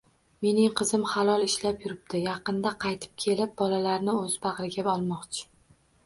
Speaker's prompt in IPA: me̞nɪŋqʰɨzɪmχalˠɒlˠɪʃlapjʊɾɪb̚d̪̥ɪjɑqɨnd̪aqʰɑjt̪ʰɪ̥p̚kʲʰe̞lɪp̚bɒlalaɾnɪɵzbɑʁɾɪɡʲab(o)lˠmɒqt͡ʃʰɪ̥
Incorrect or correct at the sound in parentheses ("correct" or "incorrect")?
incorrect